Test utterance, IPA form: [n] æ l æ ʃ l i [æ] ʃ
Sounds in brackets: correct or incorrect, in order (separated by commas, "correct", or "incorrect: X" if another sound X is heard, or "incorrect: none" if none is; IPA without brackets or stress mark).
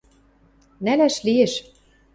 correct, incorrect: e